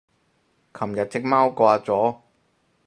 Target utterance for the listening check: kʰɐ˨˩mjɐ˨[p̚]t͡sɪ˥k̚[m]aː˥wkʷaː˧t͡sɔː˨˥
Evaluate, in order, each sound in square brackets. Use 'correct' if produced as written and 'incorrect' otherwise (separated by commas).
incorrect, correct